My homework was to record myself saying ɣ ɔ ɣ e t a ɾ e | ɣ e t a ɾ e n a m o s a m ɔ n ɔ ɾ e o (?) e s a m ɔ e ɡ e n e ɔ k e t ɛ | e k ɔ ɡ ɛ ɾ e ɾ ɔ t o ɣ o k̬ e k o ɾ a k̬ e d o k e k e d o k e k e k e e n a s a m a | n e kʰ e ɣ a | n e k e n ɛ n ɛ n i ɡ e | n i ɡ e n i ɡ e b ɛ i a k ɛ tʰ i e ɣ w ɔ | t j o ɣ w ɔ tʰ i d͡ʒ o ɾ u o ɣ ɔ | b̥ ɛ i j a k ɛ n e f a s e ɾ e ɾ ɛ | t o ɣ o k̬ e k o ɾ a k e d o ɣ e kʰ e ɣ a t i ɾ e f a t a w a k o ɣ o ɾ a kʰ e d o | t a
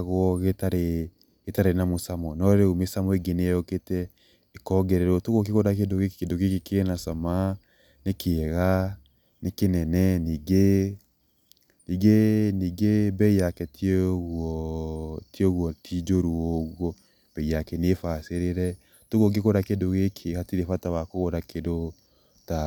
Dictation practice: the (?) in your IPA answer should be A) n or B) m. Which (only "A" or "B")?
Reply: B